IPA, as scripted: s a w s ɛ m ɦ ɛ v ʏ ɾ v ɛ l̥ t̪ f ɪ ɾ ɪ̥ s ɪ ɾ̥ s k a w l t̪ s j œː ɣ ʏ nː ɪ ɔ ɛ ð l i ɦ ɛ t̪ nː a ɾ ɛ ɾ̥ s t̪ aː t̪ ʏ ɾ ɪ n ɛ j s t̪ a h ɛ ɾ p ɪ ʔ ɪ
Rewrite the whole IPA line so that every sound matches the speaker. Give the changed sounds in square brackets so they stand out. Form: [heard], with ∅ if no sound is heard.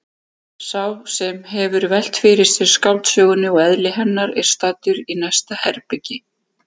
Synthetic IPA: s a w s ɛ m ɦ ɛ v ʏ ɾ v ɛ l̥ t̪ f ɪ ɾ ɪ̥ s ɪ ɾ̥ s k a w l t̪ s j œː ɣ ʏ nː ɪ ɔ ɛ ð l [ɪ] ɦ ɛ [∅] nː a ɾ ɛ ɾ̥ s t̪ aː t̪ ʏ ɾ [i] n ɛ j s t̪ a h ɛ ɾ p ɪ [c] ɪ

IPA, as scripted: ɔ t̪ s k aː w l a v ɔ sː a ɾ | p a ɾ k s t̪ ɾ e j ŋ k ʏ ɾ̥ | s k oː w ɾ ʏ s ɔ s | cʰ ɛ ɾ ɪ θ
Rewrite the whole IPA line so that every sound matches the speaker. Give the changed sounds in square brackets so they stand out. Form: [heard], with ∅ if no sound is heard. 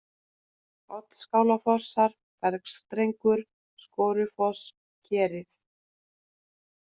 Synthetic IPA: ɔ t̪ s k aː w l a [f] ɔ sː a ɾ | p [ɛ] ɾ k s t̪ ɾ e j ŋ k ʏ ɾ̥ | s k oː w ɾ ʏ [f] ɔ s | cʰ [ɛː] ɾ ɪ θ

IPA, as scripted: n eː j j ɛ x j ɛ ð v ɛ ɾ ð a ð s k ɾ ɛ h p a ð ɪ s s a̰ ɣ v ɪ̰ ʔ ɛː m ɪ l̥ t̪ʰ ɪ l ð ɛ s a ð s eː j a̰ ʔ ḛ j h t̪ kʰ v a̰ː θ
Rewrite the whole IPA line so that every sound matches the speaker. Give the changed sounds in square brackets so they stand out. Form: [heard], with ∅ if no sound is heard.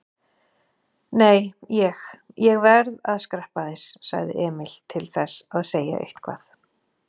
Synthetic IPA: n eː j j ɛ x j ɛ [ɣ] v ɛ ɾ ð a ð s k ɾ ɛ h p a ð ɪ s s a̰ ɣ [ð] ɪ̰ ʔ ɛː m ɪ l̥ t̪ʰ ɪ l [θ] ɛ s a ð s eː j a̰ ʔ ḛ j h t̪ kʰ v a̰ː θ

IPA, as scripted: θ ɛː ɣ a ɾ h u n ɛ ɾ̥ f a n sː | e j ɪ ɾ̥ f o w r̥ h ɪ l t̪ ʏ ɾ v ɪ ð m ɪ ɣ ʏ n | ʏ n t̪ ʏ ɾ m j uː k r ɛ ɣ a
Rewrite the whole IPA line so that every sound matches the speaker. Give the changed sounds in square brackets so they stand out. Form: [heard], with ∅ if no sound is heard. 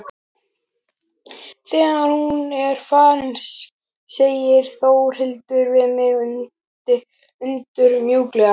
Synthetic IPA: θ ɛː ɣ a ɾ h u n ɛ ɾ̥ f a n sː | e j ɪ ɾ̥ [θ] o w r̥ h ɪ l t̪ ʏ ɾ v ɪ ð m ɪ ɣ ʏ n | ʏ n t̪ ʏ ɾ m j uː k [l] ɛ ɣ a

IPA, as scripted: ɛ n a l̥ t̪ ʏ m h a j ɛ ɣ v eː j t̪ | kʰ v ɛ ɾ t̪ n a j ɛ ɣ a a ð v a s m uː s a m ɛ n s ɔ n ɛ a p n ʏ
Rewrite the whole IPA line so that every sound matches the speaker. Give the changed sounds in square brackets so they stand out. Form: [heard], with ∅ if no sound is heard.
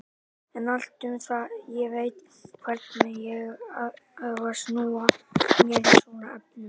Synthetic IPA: ɛ n a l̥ t̪ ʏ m [θ] a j ɛ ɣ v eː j t̪ | kʰ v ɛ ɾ t̪ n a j ɛ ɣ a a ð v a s [n] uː [∅] a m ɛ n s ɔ n [a] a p n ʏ

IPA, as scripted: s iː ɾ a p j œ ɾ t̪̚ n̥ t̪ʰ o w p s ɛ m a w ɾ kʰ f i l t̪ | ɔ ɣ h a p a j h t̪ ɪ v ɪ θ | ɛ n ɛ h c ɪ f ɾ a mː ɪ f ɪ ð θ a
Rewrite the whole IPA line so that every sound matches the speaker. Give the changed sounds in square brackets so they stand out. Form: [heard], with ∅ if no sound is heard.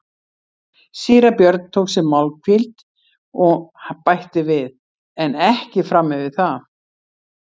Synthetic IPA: s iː ɾ a p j œ ɾ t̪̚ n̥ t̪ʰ o w [k] s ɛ m a w [l] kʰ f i l t̪ | ɔ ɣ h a p a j h t̪ ɪ v ɪ [ð] | ɛ n ɛ h c ɪ f ɾ a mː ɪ [v] ɪ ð θ a

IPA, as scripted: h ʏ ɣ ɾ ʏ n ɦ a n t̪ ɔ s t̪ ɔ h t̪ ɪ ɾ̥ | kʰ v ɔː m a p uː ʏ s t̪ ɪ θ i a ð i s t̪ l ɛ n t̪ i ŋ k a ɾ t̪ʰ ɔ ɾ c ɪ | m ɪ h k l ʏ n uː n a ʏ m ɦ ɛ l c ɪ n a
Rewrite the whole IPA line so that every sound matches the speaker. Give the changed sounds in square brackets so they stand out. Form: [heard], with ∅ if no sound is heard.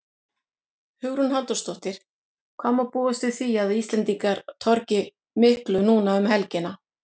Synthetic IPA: h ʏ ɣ ɾ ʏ n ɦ a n t̪ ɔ s t̪ ɔ h t̪ ɪ ɾ̥ | kʰ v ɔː m a p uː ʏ s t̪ ɪ θ i a ð i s t̪ l ɛ n t̪ i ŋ k a ɾ t̪ʰ ɔ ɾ c ɪ | m ɪ h k l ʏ n uː n a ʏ m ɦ ɛ l c ɪ n a

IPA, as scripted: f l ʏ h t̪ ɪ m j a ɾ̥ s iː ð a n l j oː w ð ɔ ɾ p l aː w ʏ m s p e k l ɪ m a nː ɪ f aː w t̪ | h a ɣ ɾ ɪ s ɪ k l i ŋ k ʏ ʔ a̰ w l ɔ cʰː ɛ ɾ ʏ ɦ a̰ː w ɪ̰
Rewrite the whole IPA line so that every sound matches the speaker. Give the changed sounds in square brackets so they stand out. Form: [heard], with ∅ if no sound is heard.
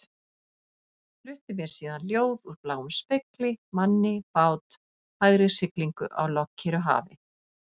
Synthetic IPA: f l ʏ h t̪ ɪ m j [ɛ] ɾ̥ s iː ð a n l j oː w ð [u] ɾ p l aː w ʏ m s p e k l ɪ m a nː ɪ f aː w t̪ | h a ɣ ɾ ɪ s ɪ k l i ŋ k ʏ ʔ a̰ w l ɔ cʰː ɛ ɾ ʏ ɦ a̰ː [v] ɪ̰

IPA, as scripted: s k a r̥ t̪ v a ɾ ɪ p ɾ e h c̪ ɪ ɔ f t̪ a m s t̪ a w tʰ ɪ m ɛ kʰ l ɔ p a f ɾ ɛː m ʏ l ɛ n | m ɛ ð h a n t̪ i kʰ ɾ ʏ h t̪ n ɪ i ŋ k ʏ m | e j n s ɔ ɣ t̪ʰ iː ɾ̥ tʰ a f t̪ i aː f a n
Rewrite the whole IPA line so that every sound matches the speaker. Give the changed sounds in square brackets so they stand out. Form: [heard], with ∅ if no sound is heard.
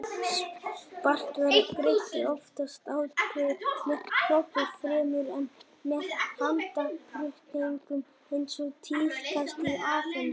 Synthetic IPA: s [p] a r̥ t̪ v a ɾ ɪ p ɾ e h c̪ ɪ ɔ f t̪ a [∅] s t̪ a w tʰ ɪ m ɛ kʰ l ɔ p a f ɾ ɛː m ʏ [ɾ] ɛ n | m ɛ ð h a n t̪ [a] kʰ ɾ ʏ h t̪ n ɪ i ŋ k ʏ m | e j n s ɔ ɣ t̪ʰ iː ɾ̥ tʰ a [s] t̪ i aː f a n

